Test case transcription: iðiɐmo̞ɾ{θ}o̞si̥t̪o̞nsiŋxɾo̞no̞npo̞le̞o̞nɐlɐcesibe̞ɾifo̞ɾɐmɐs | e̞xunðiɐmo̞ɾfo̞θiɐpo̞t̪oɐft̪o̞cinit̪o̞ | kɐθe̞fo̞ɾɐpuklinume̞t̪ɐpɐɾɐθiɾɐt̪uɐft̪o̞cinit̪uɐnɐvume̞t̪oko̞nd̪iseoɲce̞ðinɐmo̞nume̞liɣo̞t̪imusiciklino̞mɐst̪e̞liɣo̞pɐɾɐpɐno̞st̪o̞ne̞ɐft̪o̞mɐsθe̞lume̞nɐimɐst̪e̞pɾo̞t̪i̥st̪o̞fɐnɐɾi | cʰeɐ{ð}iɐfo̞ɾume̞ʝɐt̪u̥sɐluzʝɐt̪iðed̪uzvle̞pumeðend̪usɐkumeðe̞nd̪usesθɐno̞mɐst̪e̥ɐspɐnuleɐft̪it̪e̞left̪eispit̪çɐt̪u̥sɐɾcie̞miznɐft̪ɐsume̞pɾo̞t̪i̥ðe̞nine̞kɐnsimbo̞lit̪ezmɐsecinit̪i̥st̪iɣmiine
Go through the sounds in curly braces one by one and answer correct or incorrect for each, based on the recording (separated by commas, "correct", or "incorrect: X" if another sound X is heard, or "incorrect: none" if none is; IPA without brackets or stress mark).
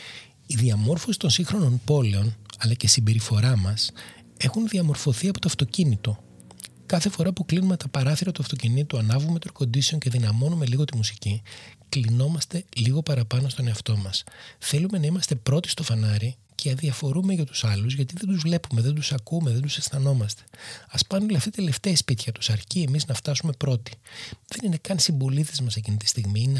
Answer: incorrect: f, correct